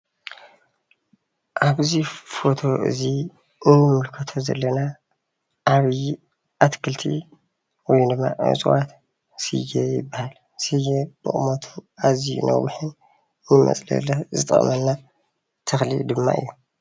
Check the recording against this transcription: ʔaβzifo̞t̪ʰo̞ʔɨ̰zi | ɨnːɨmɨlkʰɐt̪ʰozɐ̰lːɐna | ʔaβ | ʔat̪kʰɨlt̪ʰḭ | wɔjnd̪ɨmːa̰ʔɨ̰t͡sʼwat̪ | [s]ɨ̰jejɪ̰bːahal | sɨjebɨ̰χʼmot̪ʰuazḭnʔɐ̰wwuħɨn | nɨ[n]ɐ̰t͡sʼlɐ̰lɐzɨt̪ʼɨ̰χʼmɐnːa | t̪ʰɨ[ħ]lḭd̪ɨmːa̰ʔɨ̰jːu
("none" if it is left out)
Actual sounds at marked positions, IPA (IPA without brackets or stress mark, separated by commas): s, m, x